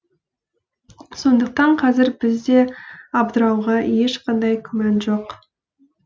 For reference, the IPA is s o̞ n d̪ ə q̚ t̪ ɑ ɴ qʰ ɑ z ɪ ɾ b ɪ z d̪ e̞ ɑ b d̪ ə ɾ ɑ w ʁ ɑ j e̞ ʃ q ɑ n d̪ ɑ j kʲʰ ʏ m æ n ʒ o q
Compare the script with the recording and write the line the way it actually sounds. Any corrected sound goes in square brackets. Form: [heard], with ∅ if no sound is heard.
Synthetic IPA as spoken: s o̞ n d̪ ə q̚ t̪ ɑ ɴ qʰ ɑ z ɪ ɾ b ɪ z d̪ e̞ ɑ b d̪ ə ɾ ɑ w ʁ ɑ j e̞ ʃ q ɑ n d̪ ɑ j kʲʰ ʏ m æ n ʒ o q